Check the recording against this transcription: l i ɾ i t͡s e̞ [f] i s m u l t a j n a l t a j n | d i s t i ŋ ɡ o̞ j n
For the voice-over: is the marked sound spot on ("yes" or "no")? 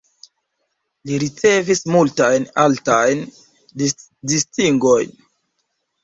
no